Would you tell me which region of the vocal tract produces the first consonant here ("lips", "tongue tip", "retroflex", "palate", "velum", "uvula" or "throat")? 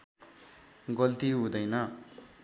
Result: velum